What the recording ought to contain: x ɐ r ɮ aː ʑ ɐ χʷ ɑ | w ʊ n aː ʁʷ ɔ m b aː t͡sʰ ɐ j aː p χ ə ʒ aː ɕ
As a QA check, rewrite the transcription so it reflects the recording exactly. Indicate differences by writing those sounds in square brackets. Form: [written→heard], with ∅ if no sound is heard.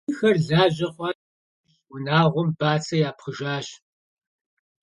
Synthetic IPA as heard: x ɐ r ɮ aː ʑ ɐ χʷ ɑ | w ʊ n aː ʁʷ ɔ m b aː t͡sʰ ɐ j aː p χ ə ʒ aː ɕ